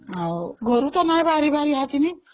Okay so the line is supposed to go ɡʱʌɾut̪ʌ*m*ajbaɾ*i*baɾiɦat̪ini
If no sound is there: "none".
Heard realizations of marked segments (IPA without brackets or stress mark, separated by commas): n, i